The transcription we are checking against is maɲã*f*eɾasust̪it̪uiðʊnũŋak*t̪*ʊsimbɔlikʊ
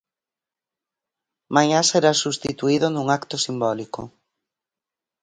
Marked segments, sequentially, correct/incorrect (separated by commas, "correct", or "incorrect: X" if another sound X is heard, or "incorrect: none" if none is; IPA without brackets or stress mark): incorrect: s, correct